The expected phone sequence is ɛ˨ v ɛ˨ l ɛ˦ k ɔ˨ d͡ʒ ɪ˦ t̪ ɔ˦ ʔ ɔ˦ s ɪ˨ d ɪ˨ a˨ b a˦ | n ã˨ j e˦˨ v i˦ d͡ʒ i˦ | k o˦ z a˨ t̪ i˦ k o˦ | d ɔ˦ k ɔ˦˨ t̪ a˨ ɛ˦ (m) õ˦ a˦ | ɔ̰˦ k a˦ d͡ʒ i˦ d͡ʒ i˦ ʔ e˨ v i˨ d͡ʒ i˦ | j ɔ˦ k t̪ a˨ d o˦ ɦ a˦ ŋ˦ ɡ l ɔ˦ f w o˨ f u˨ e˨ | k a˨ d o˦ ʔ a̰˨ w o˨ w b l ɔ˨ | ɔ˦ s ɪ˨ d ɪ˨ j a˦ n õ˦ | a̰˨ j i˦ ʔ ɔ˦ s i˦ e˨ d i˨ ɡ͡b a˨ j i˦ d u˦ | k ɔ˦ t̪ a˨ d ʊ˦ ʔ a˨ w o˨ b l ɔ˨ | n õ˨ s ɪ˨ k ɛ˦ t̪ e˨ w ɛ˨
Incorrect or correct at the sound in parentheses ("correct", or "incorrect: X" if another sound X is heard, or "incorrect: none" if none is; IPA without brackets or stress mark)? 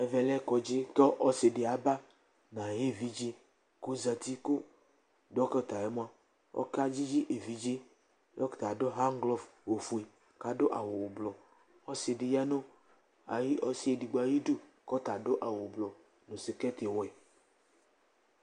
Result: correct